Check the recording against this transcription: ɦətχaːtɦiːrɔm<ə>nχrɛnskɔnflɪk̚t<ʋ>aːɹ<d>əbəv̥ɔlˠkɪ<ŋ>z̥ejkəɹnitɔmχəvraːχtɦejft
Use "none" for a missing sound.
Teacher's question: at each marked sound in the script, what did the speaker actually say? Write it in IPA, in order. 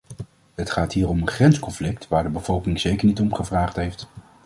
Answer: ə, ʋ, d, ŋ

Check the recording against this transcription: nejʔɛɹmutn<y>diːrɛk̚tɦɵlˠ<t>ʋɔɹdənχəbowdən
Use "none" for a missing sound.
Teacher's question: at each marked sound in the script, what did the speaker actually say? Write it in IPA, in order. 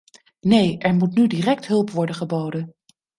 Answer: y, p

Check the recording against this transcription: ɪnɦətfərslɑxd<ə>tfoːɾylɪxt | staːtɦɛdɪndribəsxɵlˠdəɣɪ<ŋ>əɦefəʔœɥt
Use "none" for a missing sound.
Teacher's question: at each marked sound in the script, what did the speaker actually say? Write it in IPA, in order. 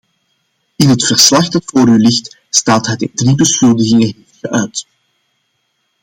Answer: ɑ, ŋ

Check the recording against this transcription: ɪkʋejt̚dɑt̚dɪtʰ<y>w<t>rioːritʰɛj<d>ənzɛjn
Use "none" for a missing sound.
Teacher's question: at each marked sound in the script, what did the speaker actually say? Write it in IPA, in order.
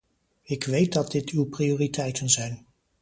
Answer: y, p, t

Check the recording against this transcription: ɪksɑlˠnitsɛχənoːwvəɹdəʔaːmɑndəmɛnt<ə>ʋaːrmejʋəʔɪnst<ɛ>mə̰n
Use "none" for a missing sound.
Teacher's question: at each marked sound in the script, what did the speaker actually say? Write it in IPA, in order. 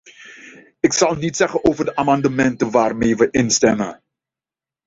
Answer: ə, ɛ

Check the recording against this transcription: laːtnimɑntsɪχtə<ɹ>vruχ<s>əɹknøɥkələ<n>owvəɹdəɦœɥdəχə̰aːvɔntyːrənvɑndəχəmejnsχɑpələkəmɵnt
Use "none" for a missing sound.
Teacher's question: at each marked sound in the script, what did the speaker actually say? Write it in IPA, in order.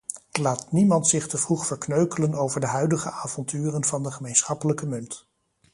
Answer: none, f, n

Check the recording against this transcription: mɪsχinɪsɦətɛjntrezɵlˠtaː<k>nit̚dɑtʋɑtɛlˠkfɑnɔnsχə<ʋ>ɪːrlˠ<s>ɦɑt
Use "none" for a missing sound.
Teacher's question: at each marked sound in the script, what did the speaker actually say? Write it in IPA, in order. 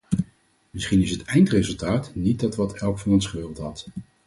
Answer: t, ʋ, t

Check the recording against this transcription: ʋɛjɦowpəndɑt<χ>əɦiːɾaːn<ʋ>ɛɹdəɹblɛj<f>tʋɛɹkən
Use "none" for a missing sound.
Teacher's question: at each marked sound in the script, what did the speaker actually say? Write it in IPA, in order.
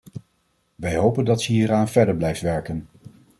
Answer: s, v, f

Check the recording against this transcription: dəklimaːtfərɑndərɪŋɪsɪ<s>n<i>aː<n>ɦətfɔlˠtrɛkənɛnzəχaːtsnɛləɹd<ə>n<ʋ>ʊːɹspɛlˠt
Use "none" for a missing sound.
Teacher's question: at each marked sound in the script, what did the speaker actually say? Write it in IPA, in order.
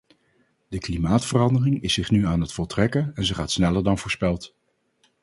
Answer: χ, y, n, ɑ, v

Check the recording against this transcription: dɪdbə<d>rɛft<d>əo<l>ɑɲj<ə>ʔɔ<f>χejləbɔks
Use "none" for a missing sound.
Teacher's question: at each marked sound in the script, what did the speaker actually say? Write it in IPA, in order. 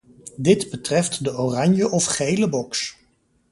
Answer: t, d, r, ə, f

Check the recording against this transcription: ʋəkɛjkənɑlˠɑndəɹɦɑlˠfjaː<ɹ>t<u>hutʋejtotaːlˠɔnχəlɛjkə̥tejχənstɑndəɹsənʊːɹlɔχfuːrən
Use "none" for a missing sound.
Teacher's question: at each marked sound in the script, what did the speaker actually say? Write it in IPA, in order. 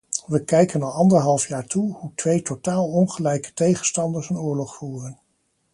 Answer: ɹ, u

